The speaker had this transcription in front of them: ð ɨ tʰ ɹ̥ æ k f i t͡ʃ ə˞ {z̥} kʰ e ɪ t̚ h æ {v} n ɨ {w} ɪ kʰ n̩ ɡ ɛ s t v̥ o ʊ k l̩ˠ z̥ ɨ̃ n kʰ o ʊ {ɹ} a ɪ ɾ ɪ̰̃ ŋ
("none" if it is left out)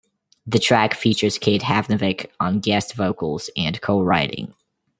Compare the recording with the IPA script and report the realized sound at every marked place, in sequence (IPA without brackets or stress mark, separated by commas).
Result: z̥, v, v, ɹ